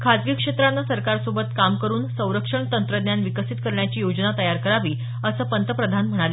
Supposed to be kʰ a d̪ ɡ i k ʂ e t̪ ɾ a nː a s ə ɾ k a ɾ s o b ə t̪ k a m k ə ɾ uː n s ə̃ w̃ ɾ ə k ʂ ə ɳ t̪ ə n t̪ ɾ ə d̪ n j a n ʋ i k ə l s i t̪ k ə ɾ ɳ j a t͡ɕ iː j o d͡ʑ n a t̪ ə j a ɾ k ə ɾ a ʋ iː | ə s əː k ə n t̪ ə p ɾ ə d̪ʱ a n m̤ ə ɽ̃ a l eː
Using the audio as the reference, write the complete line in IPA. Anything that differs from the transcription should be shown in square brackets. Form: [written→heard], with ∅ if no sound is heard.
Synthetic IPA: kʰ a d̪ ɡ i k ʂ e t̪ ɾ a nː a s ə ɾ k a ɾ s o b ə t̪ k a m k ə ɾ uː n s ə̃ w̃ ɾ ə k ʂ ə ɳ t̪ ə n t̪ ɾ ə d̪ n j a n ʋ i k ə [l→∅] s i t̪ k ə ɾ ɳ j a t͡ɕ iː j o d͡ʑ n a t̪ ə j a ɾ k ə ɾ a ʋ iː | ə s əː [k→p] ə n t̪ ə p ɾ ə d̪ʱ a n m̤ ə ɽ̃ a l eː